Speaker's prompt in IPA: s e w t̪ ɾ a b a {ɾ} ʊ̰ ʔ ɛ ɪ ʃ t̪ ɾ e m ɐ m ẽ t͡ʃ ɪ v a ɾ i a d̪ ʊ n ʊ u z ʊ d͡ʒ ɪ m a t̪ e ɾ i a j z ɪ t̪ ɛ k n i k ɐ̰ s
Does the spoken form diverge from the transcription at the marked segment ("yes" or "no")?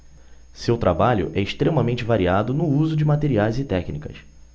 yes